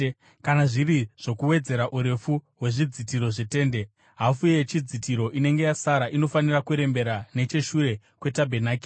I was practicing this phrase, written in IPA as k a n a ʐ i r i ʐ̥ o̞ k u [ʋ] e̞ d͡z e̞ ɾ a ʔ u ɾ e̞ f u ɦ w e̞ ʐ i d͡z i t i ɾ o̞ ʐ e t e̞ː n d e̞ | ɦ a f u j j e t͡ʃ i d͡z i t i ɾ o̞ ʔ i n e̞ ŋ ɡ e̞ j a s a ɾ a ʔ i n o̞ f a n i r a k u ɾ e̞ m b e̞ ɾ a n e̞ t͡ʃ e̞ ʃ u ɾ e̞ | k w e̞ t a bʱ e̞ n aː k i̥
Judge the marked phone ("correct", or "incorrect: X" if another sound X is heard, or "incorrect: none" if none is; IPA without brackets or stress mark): incorrect: w